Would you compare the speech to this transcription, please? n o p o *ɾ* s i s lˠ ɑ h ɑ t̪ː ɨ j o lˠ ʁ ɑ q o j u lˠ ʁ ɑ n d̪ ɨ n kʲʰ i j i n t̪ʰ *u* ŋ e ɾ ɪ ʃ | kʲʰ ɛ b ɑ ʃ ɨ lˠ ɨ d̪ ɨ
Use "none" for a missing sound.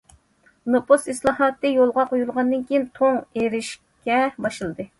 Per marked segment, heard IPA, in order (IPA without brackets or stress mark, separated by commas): none, o